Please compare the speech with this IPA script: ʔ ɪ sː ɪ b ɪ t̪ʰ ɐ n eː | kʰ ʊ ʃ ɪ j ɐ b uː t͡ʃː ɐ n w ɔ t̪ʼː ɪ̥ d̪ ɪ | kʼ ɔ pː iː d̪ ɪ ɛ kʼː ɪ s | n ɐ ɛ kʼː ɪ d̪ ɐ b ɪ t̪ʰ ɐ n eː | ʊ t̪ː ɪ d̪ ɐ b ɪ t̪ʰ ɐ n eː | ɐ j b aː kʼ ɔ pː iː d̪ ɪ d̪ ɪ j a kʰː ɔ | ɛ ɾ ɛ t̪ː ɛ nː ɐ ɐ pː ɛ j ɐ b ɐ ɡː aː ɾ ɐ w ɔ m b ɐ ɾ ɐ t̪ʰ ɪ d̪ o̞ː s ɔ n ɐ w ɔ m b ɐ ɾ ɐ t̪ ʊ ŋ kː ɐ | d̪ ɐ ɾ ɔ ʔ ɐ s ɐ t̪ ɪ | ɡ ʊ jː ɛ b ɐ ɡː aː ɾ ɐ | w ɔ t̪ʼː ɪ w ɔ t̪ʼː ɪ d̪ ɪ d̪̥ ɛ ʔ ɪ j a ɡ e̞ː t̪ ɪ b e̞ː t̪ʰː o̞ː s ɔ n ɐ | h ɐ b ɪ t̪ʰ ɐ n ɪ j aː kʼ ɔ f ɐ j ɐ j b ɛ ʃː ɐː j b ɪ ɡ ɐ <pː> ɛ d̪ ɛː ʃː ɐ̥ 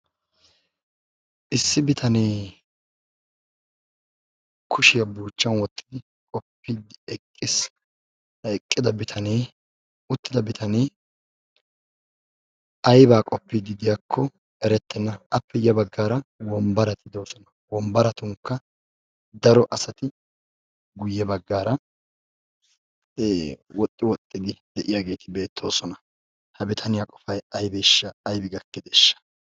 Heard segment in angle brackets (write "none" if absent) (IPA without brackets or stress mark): kː